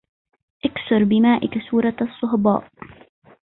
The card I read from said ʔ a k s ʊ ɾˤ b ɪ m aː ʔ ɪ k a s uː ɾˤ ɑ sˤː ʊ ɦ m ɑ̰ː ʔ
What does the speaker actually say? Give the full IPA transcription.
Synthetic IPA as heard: ʔ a k s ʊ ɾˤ b ɪ m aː ʔ ɪ k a s uː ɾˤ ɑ sˤː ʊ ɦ b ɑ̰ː ʔ